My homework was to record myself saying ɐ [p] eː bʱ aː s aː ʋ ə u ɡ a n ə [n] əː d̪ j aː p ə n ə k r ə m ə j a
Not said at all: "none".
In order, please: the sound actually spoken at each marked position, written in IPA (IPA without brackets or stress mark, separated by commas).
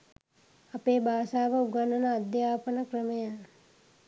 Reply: p, n